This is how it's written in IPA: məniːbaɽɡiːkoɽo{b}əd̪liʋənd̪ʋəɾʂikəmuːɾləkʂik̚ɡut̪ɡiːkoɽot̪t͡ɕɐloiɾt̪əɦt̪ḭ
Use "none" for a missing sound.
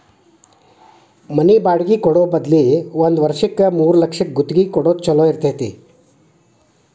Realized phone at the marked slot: b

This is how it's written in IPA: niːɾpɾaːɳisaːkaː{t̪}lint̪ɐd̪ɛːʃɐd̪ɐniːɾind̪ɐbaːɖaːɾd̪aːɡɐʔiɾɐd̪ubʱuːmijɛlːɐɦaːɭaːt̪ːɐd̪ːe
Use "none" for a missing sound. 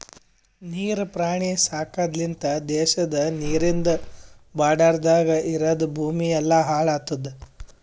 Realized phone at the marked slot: d̪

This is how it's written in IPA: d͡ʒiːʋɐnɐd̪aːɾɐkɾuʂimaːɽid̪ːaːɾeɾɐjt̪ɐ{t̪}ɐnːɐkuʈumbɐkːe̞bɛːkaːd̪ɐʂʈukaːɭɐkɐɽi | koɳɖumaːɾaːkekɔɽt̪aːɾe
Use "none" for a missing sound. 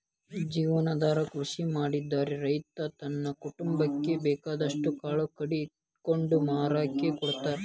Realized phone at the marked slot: t̪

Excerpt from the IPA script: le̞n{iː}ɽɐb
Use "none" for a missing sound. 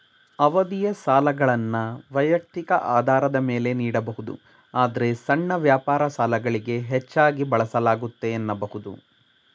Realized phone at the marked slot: iː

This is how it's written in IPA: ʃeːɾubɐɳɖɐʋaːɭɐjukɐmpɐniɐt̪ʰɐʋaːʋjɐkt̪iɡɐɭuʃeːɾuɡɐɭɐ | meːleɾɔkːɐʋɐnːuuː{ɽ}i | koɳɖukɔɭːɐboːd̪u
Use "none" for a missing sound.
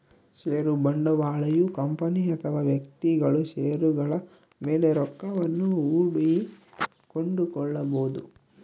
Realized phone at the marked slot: ɽ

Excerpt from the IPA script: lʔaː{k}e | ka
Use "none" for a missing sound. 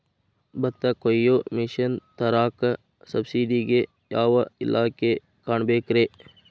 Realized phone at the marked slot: k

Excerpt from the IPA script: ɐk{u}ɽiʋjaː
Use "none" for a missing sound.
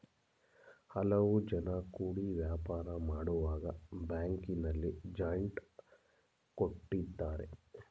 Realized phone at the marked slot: uː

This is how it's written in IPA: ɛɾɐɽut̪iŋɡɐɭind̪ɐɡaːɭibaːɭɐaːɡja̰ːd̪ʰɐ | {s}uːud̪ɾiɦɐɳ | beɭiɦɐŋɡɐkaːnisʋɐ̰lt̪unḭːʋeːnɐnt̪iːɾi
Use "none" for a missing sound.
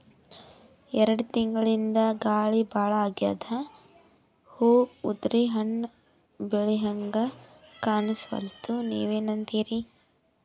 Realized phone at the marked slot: h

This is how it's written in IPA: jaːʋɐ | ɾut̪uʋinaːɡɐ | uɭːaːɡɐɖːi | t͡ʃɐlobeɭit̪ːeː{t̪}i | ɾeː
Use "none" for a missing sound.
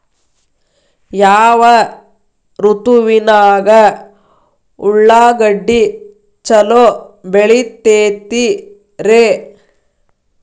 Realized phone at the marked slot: t̪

